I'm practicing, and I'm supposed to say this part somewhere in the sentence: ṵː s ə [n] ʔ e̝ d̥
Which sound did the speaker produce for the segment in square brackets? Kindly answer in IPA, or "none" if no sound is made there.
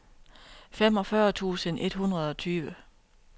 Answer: n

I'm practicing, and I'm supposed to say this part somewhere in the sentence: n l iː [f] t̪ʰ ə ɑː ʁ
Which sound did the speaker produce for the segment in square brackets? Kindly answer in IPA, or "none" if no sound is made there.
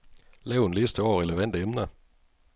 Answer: s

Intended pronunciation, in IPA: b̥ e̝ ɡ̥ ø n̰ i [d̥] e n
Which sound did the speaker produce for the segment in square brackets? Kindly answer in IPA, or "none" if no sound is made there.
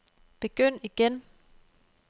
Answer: ɡ̥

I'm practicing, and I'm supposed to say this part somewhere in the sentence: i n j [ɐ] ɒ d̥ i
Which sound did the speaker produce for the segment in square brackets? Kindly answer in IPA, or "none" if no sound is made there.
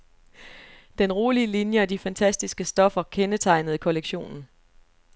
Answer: ə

